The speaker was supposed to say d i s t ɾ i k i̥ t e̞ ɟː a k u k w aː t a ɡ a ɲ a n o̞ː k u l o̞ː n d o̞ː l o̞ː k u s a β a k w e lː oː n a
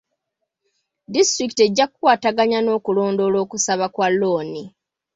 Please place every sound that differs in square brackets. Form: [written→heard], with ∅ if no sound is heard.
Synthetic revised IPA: d i s t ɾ i k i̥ t e̞ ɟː a k u k w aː t a ɡ a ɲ a n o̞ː k u l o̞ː n d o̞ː l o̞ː k u s a β a k w [e→a] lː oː n [a→i]

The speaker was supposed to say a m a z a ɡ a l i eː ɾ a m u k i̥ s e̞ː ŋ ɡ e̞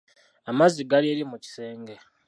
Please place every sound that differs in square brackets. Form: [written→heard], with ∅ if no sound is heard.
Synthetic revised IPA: a m a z [a→i] ɡ a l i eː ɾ [a→i] m u [k→c] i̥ s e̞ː ŋ ɡ e̞

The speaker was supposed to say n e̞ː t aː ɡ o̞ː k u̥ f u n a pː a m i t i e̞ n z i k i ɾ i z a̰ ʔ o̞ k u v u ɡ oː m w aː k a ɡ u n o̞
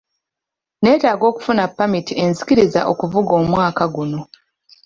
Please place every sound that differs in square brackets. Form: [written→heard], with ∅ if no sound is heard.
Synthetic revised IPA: n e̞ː t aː ɡ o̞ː k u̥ f u n a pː a m i t i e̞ n z i k i ɾ i z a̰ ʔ o̞ k u v u ɡ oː m w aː k a ɡ u n o̞

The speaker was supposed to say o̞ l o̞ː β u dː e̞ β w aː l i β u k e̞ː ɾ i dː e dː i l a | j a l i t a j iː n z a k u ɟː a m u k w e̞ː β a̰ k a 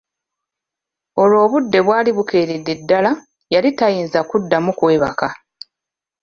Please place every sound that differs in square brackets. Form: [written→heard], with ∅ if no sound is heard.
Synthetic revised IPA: o̞ l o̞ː β u dː e̞ β w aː l i β u k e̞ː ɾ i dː e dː [i→a] l a | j a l i t a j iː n z a k u [ɟː→dː] a m u k w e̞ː β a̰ k a

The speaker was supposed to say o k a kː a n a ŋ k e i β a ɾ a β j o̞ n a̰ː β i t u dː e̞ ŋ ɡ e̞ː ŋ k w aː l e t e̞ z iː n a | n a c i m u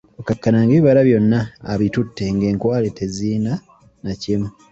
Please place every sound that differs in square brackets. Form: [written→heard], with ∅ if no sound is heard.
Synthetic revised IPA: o k a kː a n a ŋ [k→ɡ] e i β a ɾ a β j o̞ [n→nː] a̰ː β i t u [dː→tː] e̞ ŋ ɡ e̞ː ŋ k w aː l e t e̞ z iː n a | n a c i m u

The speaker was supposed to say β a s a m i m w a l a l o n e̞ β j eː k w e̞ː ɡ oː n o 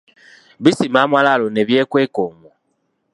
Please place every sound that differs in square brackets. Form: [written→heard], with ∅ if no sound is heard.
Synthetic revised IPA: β [a→i] s [a→i] m [i→a] m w a l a l o n e̞ β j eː k w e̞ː [ɡ→k] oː [n→m] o

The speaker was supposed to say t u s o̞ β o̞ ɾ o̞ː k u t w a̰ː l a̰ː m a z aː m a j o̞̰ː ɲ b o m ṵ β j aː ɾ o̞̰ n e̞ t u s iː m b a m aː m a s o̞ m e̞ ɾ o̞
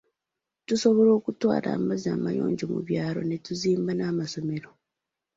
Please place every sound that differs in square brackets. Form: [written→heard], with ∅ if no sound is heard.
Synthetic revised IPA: t u s o̞ β o̞ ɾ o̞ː k u t w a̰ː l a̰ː m a z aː m a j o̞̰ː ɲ [b→ɟ] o m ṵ β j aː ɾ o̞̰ n e̞ t u [s→z] iː m b a [m→n] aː m a s o̞ m e̞ ɾ o̞

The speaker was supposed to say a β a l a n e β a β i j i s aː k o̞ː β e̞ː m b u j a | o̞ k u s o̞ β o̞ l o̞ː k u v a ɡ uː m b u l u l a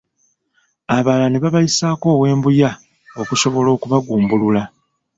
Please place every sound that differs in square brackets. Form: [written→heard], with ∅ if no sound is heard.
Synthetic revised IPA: a β a l a n e β a β [i→a] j i s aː k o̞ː [β→w] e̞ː m b u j a | o̞ k u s o̞ β o̞ l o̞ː k u [v→β] a ɡ uː m b u l u l a

